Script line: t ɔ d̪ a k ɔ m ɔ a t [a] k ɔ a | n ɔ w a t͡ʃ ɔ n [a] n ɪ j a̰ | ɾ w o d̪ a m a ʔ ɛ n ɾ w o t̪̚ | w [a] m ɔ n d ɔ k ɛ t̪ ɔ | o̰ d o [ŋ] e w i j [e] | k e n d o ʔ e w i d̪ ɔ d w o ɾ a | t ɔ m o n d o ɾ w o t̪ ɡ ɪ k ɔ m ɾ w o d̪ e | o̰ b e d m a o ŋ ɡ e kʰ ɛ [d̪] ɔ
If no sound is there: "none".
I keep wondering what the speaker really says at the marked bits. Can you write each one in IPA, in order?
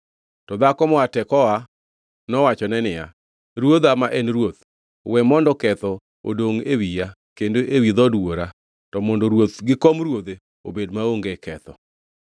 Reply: ɛ, ɛ, ɛ, ŋ, a, t̪

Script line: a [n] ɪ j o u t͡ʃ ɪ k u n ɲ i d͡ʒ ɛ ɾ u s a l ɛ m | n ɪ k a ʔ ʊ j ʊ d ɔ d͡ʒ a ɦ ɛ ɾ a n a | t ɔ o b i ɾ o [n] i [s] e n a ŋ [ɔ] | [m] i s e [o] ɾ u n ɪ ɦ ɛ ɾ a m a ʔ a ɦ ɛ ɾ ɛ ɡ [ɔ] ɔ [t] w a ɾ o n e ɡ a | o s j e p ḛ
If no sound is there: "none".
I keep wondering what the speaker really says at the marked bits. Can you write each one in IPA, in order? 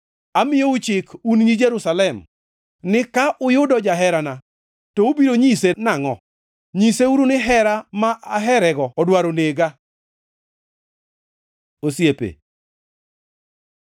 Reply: m, ɲ, s, ɔ, ɲ, u, ɔ, d

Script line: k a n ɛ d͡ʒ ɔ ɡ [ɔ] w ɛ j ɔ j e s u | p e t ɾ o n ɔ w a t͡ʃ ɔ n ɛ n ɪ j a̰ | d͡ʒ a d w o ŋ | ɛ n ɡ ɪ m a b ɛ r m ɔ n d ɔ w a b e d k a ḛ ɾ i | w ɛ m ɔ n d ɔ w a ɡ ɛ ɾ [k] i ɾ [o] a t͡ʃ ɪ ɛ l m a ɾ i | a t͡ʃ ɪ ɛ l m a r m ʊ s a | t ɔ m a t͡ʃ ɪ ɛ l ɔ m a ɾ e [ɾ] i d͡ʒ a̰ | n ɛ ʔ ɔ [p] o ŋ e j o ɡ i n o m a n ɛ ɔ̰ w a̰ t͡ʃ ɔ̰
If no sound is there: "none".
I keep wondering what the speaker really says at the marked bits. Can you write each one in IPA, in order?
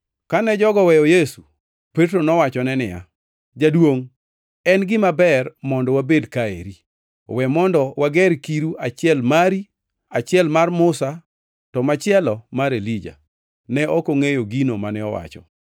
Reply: ɔ, k, u, l, k

